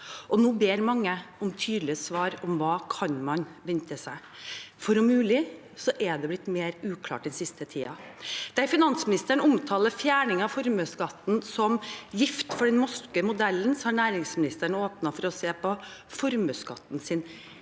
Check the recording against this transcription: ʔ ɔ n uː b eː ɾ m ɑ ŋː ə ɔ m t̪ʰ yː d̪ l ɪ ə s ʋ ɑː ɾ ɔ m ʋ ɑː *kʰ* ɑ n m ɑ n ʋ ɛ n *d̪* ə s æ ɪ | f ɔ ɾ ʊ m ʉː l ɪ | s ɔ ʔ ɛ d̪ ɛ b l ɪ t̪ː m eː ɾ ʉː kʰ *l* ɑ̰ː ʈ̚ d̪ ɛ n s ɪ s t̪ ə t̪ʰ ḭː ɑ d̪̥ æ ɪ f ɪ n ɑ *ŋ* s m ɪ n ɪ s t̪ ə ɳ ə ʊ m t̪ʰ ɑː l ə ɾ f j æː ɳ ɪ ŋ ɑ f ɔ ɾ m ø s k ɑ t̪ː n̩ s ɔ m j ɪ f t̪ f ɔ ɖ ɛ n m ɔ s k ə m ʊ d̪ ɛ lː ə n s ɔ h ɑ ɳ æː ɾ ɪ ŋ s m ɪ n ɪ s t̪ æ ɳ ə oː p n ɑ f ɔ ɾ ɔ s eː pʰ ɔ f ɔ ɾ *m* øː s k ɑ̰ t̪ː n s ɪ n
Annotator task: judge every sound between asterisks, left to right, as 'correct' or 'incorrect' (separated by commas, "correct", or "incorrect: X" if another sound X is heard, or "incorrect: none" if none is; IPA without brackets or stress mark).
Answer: correct, incorrect: t̪, correct, incorrect: n, correct